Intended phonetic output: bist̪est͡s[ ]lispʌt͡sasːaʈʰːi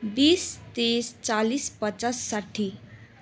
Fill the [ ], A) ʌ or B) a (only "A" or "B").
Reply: B